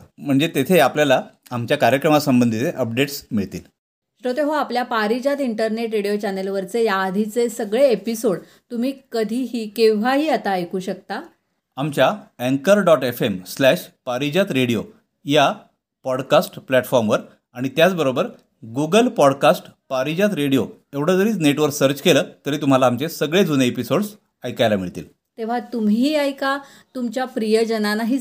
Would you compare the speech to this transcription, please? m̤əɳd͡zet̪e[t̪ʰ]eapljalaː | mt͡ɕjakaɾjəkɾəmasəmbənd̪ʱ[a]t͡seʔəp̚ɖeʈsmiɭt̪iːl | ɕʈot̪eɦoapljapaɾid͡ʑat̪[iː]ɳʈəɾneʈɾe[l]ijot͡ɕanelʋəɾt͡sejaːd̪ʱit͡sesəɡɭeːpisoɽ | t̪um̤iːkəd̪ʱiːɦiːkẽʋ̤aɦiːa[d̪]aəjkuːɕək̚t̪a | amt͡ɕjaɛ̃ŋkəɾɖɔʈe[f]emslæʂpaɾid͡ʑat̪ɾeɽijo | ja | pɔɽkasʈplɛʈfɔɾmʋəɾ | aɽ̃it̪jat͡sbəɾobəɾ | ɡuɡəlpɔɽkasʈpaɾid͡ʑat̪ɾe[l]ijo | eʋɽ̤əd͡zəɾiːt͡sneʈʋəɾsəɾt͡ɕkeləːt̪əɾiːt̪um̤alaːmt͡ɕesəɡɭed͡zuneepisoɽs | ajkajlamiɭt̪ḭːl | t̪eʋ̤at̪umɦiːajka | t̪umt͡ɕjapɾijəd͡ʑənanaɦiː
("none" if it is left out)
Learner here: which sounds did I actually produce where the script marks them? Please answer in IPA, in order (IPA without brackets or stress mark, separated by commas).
t̪ʰ, i, i, ɽ, t̪, f, ɽ